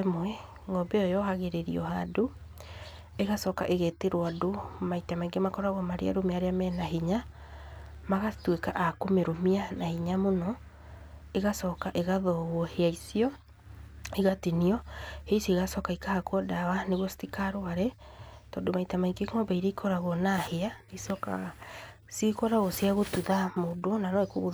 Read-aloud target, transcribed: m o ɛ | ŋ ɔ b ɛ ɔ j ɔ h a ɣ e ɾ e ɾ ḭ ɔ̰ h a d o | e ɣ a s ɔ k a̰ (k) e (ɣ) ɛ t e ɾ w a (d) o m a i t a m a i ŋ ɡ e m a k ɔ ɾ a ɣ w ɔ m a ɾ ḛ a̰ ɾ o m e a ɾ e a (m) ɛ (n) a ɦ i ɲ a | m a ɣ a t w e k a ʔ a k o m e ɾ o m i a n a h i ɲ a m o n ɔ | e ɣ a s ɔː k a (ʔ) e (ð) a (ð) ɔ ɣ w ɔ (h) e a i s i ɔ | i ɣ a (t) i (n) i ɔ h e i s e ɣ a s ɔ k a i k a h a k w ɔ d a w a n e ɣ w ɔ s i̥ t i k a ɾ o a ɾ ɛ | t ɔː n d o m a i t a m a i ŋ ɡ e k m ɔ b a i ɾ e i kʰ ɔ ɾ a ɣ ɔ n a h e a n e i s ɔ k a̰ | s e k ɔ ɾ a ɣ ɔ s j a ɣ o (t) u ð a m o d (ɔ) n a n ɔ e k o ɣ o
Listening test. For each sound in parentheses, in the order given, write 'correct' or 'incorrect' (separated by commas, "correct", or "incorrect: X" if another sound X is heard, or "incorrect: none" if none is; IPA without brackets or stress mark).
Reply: incorrect: ʔ, correct, correct, correct, correct, correct, incorrect: ɣ, correct, correct, correct, correct, correct, incorrect: o